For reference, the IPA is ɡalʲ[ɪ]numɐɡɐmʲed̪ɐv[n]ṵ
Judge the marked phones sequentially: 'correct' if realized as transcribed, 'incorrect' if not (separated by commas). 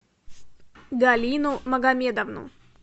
incorrect, correct